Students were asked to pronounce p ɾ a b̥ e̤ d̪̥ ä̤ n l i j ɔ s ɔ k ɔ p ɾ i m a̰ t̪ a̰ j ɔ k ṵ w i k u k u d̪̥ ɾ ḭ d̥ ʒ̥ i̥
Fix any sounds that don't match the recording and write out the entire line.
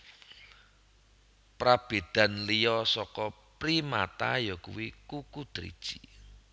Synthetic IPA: p ɾ a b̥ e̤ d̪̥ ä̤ n l i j ɔ s ɔ k ɔ p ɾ i m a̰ t̪ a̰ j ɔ k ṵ w i k u k u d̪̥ ɾ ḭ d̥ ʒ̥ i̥